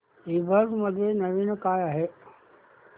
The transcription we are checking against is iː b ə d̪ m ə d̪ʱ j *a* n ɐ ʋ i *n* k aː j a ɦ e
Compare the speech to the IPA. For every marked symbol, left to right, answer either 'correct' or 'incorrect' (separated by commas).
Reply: incorrect, correct